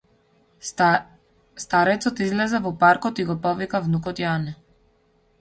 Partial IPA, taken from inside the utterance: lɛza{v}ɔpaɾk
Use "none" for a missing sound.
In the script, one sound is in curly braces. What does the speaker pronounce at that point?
v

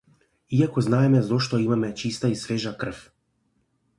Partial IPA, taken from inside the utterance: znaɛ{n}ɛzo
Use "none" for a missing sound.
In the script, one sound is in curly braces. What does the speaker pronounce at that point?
m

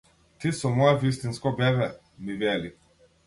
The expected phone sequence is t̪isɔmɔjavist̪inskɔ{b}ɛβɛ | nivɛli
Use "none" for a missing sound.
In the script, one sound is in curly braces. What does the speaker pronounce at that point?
b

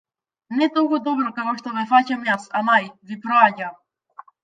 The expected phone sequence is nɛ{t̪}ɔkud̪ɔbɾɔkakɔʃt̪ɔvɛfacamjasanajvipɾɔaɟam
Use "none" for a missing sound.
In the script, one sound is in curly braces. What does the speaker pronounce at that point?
t̪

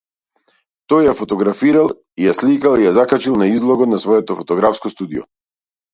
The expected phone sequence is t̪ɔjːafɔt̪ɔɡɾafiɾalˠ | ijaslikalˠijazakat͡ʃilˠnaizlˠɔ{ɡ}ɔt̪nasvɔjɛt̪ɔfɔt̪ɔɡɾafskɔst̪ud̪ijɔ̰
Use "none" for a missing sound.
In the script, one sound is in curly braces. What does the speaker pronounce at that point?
ɡ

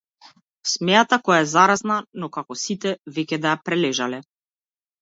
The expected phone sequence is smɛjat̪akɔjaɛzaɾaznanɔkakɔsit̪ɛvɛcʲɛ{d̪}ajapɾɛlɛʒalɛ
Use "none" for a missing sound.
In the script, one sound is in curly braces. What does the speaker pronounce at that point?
d̪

